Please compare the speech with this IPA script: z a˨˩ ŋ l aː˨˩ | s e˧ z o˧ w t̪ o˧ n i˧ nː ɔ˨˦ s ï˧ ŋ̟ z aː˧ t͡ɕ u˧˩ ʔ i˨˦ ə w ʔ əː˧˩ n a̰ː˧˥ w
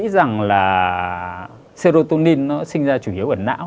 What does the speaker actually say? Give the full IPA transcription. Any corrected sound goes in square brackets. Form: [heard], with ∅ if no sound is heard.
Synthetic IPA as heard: z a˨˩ ŋ l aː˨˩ | s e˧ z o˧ [∅] t̪ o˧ n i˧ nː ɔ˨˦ s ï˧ ŋ̟ z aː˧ t͡ɕ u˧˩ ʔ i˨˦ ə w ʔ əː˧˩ n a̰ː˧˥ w